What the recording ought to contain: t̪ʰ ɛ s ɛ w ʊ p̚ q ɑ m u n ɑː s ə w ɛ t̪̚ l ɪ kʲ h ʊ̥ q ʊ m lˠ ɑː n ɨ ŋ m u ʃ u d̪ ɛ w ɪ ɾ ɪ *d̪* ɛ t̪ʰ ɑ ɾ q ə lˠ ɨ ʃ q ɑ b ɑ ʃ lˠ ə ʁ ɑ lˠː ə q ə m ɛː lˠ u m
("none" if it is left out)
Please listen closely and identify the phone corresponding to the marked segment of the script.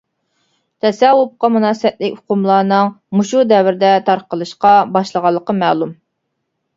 d̪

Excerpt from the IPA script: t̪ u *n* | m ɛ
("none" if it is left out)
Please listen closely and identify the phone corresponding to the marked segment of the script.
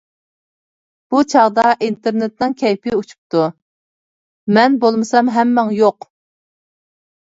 none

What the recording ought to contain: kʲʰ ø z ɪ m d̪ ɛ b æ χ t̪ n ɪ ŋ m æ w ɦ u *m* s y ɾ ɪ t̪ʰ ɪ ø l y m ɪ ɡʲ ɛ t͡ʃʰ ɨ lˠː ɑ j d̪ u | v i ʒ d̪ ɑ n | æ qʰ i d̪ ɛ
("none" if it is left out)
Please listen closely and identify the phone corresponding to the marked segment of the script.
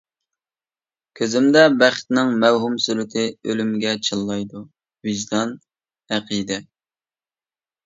m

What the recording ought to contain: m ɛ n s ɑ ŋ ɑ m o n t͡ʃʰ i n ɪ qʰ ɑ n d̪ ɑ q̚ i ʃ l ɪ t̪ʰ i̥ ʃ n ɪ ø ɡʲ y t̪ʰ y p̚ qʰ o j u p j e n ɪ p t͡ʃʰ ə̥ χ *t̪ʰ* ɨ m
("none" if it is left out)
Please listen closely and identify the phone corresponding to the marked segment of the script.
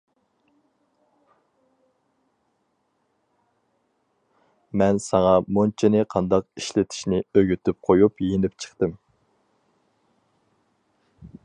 t̪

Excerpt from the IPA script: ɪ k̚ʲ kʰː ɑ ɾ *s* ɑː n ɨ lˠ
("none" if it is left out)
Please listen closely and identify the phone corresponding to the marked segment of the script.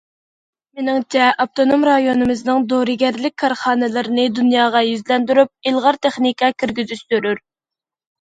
χ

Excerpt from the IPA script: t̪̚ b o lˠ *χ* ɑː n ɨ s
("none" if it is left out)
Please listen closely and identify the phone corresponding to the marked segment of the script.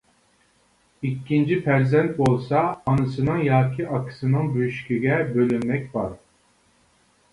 s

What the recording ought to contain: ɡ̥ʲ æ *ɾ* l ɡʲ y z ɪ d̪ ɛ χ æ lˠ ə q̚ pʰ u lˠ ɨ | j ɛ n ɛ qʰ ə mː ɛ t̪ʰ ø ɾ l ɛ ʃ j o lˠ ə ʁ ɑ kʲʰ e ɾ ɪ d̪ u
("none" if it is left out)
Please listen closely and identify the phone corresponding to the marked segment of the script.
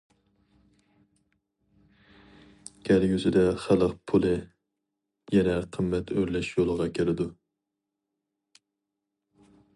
none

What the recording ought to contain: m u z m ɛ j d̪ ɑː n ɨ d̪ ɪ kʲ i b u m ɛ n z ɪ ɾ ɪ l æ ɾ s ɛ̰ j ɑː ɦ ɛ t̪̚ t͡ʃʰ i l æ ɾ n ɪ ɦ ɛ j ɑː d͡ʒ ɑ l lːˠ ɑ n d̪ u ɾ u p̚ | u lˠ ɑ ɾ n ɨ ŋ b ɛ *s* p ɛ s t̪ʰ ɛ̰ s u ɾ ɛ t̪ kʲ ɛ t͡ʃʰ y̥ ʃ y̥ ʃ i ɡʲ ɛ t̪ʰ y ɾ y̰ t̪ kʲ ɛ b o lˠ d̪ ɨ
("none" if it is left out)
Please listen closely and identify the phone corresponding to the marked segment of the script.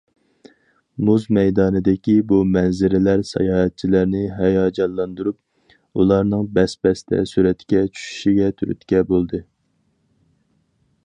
s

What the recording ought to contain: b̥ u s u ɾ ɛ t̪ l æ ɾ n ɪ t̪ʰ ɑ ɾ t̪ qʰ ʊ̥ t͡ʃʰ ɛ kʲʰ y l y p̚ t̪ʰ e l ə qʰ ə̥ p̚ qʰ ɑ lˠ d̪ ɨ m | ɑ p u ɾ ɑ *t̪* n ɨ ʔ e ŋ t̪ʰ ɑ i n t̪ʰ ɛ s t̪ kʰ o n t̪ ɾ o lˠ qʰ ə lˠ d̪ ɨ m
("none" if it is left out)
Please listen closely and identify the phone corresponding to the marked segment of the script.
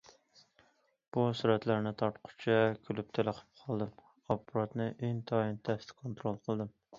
t̪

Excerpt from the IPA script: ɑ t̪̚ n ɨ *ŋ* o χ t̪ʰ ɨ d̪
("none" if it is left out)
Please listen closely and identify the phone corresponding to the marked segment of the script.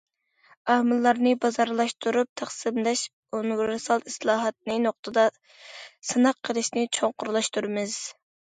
n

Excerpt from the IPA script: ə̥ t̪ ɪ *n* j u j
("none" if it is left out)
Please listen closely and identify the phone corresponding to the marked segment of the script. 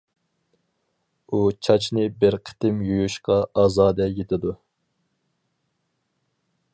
m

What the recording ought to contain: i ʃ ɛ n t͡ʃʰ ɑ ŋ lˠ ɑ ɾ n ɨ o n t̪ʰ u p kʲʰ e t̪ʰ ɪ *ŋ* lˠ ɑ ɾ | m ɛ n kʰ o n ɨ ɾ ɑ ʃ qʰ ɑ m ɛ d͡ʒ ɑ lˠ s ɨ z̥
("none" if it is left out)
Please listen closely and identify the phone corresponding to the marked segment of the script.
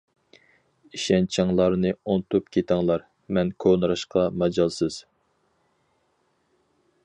ŋ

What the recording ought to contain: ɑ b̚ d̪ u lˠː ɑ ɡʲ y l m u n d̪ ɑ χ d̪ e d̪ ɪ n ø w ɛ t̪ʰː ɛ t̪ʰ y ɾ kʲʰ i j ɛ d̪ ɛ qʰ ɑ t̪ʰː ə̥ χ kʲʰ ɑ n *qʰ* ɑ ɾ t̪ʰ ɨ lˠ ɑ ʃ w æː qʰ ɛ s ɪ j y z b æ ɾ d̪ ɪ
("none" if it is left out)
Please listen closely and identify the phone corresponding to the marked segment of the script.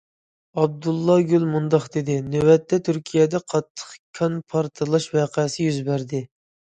pʰ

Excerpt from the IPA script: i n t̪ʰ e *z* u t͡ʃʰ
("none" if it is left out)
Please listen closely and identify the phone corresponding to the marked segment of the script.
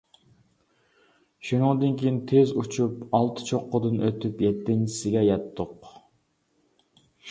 z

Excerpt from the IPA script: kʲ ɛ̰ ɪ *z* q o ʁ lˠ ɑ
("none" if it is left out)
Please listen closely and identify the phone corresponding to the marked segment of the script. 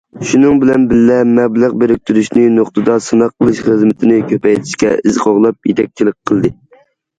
z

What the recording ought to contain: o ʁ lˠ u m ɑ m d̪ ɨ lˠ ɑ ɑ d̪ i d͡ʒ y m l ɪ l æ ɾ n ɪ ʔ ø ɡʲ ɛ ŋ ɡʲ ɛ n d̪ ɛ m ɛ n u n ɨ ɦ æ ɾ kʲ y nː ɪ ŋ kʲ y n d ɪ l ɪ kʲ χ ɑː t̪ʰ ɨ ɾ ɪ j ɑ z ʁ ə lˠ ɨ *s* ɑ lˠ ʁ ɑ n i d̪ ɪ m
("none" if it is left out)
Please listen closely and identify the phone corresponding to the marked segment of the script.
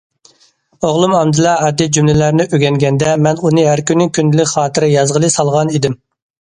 s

